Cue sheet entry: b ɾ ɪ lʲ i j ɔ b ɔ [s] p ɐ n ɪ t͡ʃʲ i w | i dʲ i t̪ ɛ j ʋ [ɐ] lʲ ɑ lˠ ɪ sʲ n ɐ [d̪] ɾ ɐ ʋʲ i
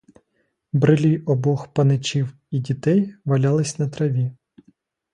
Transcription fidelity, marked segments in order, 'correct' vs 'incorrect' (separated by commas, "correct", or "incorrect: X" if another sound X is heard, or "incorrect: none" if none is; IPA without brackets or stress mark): incorrect: x, correct, incorrect: t̪